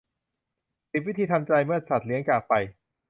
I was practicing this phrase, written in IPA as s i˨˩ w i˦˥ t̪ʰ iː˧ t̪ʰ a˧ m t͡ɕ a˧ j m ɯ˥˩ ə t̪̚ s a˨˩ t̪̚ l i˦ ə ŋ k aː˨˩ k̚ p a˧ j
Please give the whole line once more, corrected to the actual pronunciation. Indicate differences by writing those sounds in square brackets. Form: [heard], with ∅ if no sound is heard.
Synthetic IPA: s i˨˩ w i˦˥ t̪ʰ iː˧ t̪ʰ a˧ m t͡ɕ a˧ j m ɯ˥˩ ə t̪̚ s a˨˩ t̪̚ l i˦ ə ŋ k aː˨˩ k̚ p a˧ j